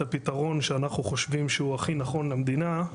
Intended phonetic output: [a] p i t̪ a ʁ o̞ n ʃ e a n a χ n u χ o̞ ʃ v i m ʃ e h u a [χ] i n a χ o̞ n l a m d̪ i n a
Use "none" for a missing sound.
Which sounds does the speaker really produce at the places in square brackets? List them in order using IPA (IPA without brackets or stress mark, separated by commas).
a, χ